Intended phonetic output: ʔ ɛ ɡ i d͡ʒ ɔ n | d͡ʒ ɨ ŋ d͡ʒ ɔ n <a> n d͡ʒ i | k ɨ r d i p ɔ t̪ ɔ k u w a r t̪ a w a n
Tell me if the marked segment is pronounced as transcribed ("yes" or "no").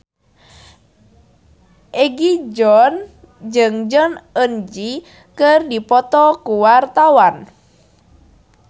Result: no